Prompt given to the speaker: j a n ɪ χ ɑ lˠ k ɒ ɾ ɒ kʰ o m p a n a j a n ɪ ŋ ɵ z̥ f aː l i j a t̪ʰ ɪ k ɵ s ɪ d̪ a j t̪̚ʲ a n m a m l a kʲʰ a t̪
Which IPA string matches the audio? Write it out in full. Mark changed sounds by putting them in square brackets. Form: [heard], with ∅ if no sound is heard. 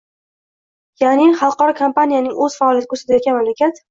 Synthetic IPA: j a n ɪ χ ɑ lˠ [q] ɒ ɾ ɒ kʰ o m p a n [i] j a n ɪ ŋ ɵ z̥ f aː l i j a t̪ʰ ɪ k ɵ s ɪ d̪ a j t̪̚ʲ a n m a m l a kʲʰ a t̪